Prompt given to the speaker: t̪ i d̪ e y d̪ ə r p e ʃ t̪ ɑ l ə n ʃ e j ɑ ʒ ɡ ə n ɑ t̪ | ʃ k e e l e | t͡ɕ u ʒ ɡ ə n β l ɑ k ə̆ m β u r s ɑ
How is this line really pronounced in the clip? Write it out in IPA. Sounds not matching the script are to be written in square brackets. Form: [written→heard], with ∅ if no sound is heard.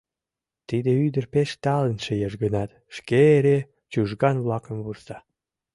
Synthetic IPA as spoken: t̪ i d̪ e y d̪ ə r p e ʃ t̪ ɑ l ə n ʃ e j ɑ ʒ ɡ ə n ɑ t̪ | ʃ k e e [l→ɾ] e | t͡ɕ u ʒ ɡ [ə→ɑ] n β l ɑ k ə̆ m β u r s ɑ